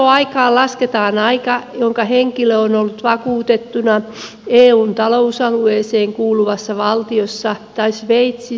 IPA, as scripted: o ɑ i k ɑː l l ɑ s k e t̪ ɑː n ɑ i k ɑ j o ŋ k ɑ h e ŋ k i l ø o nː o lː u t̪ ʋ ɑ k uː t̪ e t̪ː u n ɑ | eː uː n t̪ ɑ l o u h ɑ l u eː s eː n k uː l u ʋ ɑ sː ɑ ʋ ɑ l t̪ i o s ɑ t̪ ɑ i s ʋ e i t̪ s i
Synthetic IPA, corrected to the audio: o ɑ i k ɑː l l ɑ s k e t̪ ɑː n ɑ i k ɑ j o ŋ k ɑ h e ŋ k i l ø o n o lː u t̪ ʋ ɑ k uː t̪ e t̪ː u n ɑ | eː uː n t̪ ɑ l o u s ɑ l u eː s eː ŋ k uː l u ʋ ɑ sː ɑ ʋ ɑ l t̪ i o sː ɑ t̪ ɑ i s ʋ e i t̪ s i